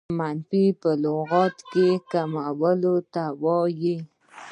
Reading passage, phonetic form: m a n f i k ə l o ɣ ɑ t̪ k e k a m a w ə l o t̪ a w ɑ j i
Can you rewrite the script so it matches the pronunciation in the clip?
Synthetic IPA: m a n f i p ə l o ɣ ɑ t̪ k e k a m a w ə l o t̪ a w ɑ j i